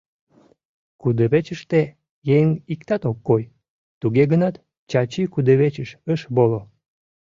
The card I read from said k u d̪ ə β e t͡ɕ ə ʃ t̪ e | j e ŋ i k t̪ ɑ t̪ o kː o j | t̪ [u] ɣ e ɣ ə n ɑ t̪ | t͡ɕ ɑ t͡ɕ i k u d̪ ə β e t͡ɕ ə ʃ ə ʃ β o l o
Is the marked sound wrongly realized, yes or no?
no